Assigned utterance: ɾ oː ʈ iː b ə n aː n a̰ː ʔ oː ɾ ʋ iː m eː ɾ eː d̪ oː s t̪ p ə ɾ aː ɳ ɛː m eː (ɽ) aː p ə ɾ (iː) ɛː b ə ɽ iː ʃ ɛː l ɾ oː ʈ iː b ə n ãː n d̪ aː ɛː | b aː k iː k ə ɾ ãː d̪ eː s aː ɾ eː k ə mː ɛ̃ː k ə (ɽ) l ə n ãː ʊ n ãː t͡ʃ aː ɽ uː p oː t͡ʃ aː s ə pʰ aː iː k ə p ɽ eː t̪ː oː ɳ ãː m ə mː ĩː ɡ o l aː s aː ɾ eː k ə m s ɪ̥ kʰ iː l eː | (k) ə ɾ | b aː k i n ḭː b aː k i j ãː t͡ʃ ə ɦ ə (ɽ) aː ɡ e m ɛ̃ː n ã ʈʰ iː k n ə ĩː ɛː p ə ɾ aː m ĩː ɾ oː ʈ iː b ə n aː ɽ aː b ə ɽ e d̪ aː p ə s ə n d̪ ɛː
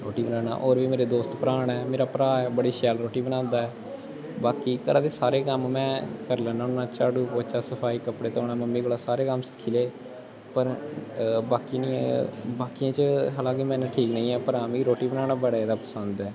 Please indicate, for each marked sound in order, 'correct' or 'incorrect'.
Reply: incorrect: ɾ, incorrect: aː, incorrect: ɾ, incorrect: p, incorrect: l

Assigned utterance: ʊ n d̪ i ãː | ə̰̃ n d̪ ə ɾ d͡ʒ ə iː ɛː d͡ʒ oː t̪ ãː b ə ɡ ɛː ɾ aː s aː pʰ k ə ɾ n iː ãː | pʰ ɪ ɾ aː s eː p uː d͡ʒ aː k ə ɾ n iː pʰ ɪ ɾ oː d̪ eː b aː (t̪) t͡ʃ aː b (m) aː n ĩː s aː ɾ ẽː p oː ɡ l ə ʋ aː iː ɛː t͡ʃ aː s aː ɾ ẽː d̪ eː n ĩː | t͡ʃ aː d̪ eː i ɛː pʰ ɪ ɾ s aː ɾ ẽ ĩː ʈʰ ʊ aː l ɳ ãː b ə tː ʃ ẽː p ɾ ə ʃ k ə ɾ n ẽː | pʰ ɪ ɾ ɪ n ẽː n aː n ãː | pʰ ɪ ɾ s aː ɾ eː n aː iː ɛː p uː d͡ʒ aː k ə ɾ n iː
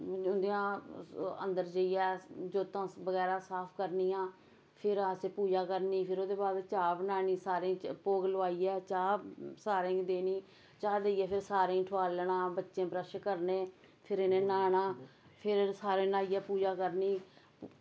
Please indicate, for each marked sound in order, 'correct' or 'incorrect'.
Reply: incorrect: d̪, incorrect: n

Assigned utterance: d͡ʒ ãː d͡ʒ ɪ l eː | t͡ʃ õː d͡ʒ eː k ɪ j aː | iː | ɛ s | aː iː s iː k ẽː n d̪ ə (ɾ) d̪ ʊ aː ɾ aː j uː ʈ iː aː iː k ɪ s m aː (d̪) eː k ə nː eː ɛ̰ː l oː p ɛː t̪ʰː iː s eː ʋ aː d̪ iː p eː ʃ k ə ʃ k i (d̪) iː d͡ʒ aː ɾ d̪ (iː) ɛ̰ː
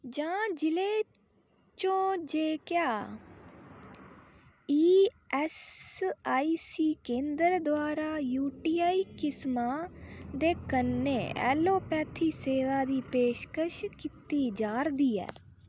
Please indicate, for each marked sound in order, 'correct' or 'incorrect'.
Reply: correct, correct, incorrect: t̪, correct

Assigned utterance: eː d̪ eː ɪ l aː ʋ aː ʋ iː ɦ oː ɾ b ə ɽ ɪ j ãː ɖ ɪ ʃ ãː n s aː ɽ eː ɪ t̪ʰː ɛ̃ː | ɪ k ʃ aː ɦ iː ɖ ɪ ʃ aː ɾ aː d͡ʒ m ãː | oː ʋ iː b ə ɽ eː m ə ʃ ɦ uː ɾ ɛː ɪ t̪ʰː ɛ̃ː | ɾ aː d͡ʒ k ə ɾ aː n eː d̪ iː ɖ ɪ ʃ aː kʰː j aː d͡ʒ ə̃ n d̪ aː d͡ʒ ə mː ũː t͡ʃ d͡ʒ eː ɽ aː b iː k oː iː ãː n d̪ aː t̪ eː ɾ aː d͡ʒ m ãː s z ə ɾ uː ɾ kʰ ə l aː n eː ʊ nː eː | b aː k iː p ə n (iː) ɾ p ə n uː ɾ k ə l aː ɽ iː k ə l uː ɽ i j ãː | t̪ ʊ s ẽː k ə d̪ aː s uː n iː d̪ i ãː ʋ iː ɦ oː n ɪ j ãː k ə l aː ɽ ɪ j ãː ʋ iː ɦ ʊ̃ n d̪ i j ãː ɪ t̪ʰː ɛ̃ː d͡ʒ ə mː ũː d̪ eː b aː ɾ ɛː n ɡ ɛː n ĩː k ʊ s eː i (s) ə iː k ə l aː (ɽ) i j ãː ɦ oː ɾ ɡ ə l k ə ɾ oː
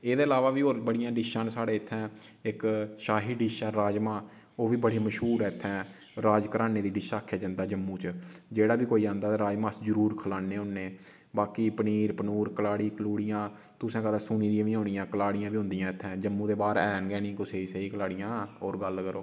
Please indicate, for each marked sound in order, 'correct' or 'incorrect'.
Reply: correct, correct, correct

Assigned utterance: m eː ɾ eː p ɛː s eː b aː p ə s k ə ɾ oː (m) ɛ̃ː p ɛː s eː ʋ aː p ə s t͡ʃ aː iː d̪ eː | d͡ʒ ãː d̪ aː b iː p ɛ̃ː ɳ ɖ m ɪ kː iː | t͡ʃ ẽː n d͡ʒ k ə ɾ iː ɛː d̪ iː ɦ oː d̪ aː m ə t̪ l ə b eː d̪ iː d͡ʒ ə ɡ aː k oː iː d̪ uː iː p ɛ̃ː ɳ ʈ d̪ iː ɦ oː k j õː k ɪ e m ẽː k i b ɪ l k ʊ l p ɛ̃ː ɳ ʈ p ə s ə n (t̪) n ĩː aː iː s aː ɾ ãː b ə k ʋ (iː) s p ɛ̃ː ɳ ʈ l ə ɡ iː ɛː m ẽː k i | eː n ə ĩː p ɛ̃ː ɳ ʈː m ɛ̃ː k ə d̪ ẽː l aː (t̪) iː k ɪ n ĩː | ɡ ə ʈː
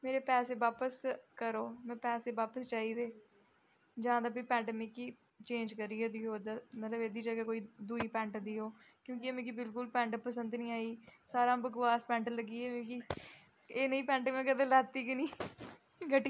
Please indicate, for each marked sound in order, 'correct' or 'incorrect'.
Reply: correct, incorrect: d̪, incorrect: aː, correct

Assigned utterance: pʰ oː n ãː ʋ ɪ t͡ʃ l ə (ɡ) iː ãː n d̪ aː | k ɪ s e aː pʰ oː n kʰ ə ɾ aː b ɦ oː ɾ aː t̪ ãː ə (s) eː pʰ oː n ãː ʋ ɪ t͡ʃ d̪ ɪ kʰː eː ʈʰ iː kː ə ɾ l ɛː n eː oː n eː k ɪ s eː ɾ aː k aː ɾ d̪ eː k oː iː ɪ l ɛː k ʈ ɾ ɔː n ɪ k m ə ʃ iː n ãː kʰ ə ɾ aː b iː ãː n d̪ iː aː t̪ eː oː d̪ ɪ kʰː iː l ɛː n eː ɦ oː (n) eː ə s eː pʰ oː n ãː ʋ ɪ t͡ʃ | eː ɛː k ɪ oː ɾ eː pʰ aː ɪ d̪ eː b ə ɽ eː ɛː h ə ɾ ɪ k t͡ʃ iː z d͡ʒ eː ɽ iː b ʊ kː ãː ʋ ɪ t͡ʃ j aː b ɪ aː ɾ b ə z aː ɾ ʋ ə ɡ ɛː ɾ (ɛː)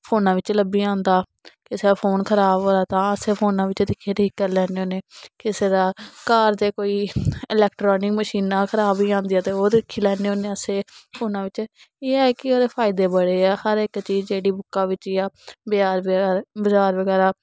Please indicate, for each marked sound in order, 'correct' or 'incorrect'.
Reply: incorrect: b, correct, correct, incorrect: aː

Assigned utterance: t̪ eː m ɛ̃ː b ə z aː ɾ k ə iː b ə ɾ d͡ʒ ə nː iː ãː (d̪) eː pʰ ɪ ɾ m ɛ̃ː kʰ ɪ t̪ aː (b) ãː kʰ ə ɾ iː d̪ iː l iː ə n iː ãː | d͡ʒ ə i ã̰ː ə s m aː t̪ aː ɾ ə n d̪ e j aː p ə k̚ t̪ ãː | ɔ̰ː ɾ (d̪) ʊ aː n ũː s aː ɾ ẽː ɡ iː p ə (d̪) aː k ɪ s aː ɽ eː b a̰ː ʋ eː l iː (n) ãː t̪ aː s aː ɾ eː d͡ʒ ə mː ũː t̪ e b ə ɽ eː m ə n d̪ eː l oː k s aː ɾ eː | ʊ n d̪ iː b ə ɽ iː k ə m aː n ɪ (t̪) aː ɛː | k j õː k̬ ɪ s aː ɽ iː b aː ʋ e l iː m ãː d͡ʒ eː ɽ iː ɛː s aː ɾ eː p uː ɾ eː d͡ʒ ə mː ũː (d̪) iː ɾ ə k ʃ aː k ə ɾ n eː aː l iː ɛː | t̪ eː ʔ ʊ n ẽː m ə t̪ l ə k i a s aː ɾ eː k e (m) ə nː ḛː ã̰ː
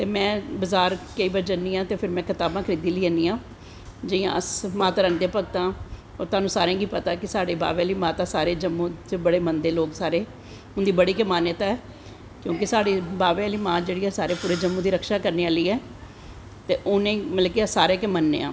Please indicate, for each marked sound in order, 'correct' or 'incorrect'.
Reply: incorrect: t̪, correct, incorrect: t̪, incorrect: t̪, incorrect: m, correct, correct, correct

